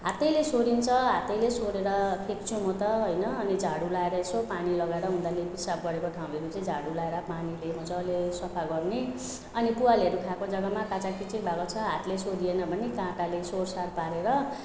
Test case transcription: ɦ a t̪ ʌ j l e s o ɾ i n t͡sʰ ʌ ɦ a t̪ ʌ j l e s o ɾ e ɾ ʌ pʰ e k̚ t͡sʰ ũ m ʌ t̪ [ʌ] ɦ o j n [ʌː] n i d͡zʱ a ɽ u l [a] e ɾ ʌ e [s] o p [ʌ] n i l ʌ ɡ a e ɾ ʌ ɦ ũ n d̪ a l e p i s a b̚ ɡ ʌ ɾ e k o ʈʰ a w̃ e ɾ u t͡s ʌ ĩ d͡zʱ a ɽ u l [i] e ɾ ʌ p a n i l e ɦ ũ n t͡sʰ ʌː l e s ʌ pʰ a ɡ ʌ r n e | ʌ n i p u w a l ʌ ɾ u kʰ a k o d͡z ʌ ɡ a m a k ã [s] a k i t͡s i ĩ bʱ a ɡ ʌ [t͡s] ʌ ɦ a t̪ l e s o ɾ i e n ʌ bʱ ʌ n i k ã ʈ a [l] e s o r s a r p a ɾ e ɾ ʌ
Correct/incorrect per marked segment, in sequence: correct, correct, correct, correct, incorrect: a, incorrect: a, incorrect: t͡s, incorrect: t͡sʰ, correct

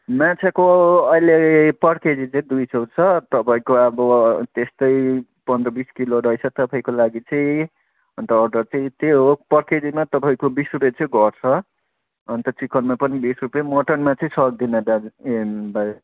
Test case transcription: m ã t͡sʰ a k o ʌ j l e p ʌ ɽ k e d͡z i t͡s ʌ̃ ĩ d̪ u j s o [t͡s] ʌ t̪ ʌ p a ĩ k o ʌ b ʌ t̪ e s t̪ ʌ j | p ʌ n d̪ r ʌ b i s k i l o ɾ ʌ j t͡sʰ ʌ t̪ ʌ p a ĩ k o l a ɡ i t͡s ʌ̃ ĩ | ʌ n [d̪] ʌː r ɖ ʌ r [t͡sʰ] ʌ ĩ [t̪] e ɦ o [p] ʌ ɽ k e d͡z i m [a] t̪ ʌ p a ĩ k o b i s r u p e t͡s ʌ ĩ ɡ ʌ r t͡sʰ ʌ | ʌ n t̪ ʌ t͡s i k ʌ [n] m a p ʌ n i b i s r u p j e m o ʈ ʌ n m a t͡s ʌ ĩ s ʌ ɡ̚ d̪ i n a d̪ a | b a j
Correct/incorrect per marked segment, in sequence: incorrect: t͡sʰ, incorrect: t̪, incorrect: t͡s, correct, correct, correct, correct

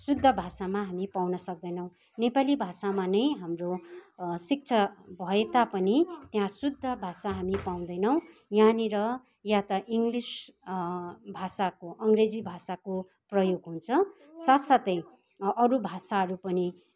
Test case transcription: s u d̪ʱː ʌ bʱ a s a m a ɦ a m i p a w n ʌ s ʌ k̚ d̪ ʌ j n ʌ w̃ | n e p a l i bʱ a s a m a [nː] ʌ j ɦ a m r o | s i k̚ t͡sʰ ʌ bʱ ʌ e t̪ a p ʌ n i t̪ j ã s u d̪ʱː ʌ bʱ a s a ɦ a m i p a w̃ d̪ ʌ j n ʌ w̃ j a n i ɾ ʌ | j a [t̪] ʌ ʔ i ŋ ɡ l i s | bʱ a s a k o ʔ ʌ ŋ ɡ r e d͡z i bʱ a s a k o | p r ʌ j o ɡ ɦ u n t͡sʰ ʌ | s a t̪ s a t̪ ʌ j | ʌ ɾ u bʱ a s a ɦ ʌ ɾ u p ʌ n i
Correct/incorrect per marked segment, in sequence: incorrect: n, correct

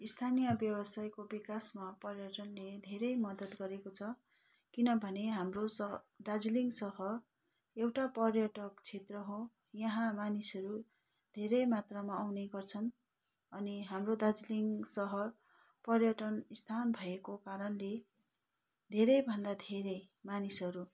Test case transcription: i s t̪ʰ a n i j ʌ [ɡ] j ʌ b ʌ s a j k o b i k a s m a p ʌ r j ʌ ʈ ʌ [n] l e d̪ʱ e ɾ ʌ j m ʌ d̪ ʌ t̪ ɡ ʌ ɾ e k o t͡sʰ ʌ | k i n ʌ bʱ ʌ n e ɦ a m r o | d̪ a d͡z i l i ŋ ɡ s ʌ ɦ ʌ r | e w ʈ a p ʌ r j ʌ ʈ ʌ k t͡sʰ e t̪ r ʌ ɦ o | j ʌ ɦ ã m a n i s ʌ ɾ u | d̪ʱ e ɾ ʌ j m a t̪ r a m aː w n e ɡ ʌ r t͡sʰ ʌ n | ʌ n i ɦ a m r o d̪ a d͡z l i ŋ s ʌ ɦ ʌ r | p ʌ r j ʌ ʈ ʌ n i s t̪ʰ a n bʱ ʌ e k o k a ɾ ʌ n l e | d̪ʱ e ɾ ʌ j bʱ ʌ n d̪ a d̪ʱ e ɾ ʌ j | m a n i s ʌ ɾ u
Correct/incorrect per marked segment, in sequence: incorrect: b, correct

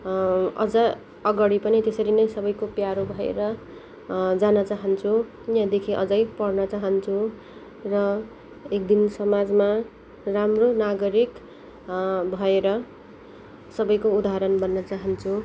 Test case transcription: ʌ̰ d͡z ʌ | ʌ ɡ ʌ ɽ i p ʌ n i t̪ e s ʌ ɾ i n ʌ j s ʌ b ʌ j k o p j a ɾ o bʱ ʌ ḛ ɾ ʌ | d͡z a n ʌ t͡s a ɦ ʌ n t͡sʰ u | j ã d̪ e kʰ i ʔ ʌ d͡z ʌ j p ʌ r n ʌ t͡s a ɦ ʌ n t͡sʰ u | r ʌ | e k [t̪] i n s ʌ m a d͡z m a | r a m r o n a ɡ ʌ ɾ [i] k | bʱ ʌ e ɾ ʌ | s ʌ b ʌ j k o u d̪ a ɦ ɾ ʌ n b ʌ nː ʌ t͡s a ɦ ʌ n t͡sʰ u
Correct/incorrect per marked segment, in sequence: incorrect: d̪, correct

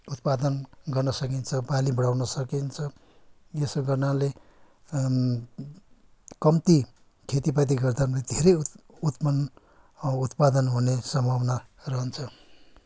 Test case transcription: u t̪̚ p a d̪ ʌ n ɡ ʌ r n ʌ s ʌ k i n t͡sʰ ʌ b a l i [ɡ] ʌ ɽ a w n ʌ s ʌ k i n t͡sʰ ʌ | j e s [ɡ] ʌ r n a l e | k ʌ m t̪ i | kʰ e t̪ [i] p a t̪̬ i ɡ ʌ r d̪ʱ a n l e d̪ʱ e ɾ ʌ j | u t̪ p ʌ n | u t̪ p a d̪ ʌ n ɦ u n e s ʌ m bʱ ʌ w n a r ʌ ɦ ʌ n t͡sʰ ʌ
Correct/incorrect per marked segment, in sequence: incorrect: b, correct, correct

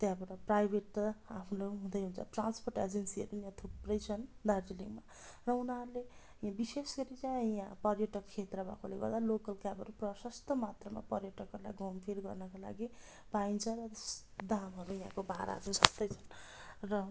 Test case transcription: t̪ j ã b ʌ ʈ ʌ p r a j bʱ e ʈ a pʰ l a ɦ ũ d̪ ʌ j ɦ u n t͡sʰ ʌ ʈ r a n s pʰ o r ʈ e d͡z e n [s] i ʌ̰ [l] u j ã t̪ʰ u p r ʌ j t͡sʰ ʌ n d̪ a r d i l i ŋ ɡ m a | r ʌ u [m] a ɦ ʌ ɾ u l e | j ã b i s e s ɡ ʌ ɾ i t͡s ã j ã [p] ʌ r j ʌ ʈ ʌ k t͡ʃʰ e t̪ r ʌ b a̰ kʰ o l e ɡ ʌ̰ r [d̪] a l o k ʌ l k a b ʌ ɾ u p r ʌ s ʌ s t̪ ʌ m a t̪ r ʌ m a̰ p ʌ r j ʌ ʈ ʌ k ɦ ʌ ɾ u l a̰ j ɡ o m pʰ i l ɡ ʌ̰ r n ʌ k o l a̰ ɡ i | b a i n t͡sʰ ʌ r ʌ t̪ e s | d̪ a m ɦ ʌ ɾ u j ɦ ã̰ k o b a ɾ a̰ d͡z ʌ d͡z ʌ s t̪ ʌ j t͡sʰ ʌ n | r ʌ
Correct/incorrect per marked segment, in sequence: correct, incorrect: ɾ, incorrect: n, correct, correct

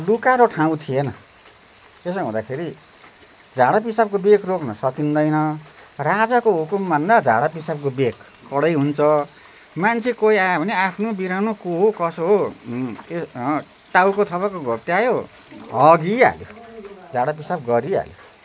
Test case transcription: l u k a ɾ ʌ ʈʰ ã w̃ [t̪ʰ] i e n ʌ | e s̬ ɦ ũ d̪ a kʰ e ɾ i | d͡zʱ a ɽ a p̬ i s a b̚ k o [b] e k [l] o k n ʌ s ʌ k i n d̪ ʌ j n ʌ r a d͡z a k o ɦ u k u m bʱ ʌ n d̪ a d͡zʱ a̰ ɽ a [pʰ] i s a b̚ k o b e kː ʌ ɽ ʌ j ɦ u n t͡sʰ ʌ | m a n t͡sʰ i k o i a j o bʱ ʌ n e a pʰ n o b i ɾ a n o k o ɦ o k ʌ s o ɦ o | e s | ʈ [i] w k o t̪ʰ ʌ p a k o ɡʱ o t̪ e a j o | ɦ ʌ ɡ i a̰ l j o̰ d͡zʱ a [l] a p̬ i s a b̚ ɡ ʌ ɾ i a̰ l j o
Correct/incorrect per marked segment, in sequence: correct, correct, incorrect: r, incorrect: p, incorrect: a, incorrect: ɽ

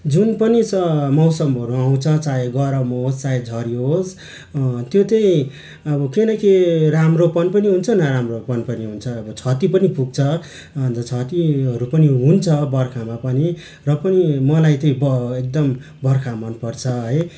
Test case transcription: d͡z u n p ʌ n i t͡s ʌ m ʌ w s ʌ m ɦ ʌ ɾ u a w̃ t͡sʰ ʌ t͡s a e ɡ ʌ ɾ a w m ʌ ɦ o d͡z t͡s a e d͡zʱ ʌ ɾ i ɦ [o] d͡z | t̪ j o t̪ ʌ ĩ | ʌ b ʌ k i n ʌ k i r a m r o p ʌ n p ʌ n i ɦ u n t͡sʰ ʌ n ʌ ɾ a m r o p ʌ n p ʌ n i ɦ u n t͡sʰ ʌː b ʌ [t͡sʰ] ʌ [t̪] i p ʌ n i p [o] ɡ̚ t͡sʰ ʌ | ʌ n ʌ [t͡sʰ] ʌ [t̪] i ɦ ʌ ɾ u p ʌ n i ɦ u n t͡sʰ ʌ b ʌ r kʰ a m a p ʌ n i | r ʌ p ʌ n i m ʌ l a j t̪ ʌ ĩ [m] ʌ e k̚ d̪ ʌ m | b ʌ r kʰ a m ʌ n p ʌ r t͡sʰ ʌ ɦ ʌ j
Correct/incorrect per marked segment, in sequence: correct, correct, correct, incorrect: u, correct, correct, incorrect: b

